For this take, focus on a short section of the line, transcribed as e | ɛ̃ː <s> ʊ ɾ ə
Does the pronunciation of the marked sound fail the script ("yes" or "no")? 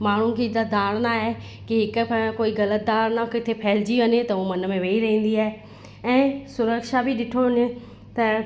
no